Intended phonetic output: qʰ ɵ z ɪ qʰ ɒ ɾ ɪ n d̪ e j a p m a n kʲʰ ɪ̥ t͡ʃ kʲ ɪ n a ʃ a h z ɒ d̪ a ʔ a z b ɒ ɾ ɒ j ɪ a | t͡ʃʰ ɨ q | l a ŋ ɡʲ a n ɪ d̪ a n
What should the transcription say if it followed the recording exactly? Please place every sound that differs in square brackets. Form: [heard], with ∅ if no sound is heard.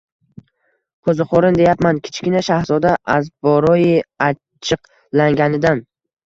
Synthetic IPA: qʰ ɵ z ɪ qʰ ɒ ɾ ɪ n d̪ e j a p m a n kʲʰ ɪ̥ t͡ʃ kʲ ɪ n a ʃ a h z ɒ d̪ a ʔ a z b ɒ ɾ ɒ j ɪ a | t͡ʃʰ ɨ q | l a ŋ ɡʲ a n ɪ d̪ a n